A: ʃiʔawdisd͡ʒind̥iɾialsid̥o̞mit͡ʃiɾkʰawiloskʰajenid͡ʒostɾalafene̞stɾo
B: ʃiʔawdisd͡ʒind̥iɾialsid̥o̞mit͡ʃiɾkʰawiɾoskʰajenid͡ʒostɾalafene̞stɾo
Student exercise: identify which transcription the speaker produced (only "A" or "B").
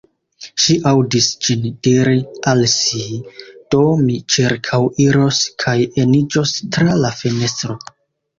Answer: B